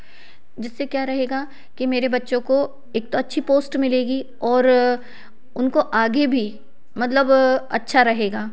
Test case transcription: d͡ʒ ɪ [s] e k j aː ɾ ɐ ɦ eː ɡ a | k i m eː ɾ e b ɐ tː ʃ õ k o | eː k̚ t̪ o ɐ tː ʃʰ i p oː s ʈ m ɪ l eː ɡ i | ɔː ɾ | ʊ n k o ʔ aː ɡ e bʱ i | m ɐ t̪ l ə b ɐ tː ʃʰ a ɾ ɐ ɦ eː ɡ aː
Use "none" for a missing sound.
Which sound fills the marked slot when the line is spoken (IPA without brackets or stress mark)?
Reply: sː